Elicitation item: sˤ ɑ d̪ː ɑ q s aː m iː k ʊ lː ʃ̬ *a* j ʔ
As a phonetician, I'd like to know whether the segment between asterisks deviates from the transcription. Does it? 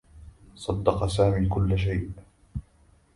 no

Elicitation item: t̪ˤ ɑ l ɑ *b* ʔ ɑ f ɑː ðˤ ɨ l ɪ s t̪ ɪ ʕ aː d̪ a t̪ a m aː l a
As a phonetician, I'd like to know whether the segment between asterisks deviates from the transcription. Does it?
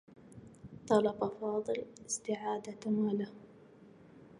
no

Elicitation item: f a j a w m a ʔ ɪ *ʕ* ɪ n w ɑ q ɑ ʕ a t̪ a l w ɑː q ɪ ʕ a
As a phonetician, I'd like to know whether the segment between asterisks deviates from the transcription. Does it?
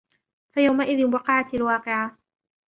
yes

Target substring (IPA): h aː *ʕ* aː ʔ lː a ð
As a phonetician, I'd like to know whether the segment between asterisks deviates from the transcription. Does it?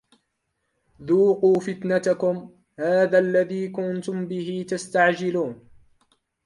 yes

